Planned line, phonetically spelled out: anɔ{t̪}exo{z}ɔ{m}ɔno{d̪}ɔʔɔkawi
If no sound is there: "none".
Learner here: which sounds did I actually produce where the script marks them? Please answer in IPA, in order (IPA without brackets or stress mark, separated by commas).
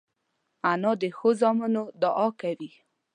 d̪, z, m, d̪